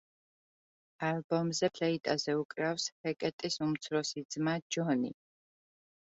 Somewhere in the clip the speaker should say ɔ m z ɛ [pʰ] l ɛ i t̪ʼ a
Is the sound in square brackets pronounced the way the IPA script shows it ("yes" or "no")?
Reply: yes